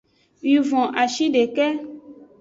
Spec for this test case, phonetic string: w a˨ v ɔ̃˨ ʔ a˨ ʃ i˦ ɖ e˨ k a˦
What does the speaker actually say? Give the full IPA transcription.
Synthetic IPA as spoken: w i˨ v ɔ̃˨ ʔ a˨ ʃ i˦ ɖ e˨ k ɛ˦